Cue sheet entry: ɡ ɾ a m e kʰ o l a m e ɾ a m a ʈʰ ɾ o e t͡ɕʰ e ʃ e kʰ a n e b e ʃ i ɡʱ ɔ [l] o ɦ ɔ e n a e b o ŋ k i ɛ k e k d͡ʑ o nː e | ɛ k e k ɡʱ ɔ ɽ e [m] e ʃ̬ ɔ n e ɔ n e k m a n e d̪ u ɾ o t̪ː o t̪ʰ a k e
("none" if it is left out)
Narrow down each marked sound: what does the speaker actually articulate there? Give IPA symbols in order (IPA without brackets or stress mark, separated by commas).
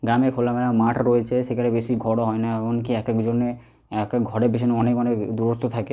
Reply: ɽ, b